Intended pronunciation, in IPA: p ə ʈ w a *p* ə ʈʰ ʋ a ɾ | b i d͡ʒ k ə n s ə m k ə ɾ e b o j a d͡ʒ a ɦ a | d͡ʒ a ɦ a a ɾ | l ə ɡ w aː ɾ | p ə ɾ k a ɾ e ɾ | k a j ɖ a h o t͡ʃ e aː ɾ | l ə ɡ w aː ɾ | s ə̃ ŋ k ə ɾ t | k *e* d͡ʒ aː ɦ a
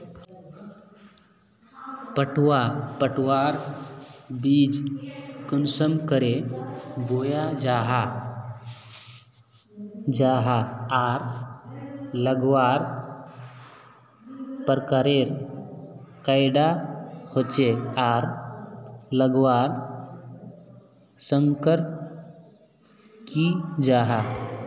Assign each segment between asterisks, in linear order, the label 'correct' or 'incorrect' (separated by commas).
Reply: correct, incorrect